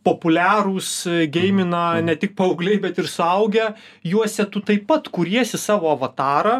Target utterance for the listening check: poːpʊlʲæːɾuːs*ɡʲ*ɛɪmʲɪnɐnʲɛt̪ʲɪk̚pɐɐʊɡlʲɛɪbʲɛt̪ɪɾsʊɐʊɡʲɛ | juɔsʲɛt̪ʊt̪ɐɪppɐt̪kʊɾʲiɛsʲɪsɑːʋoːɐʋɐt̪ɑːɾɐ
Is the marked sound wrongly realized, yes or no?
no